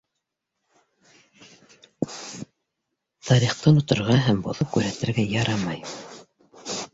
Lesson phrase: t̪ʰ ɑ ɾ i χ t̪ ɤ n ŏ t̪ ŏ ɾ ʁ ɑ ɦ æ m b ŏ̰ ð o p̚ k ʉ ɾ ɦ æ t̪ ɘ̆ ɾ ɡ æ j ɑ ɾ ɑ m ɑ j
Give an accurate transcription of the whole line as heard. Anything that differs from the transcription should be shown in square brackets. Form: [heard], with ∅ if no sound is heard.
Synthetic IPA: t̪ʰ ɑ ɾ i χ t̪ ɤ n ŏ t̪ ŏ ɾ ʁ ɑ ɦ æ m b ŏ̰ ð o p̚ k ʉ ɾ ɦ æ t̪ ɘ̆ ɾ ɡ æ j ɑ ɾ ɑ m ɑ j